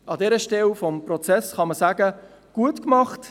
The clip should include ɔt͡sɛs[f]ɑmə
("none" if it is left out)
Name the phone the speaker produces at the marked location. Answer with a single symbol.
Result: χ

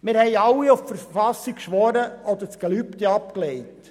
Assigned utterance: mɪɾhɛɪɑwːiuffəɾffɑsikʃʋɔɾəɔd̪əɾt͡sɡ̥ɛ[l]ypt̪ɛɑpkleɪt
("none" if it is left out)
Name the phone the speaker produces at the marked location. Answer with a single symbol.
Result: l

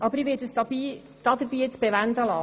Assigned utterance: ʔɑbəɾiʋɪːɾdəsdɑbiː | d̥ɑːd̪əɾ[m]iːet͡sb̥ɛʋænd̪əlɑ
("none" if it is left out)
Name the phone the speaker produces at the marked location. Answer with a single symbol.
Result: b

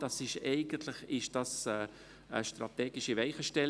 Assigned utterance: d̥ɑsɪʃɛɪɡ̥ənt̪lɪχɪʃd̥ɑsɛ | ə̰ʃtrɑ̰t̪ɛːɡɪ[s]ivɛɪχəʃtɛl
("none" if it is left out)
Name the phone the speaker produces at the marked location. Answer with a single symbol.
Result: ʃ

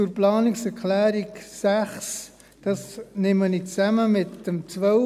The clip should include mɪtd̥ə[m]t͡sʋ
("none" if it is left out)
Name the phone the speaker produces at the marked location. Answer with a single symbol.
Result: m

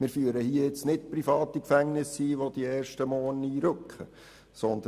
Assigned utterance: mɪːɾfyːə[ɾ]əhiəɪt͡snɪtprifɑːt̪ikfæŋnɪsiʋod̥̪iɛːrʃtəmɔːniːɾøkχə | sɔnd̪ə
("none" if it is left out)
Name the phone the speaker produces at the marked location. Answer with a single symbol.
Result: ɾ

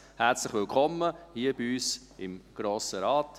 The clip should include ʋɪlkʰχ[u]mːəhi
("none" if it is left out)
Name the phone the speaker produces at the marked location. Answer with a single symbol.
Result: ɔ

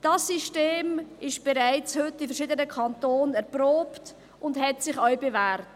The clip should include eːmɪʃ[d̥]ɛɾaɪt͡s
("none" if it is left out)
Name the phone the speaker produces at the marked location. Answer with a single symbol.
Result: b̥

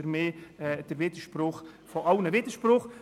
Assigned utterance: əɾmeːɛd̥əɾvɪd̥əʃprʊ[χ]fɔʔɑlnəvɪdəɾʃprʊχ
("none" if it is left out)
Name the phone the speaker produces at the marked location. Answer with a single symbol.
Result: χ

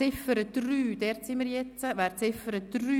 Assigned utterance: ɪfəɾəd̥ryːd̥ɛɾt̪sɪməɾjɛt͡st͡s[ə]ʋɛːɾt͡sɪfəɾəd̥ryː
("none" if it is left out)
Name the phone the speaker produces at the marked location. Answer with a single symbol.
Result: ə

